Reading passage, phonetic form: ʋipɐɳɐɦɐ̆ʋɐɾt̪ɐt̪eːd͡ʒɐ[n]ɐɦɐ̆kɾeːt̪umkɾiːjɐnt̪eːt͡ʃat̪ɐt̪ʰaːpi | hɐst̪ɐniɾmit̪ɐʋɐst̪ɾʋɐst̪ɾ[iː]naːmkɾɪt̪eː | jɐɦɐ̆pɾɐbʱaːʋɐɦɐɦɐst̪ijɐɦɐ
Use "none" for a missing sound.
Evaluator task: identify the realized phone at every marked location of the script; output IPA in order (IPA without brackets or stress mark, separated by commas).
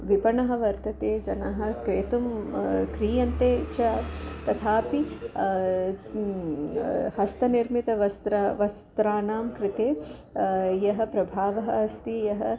n, aː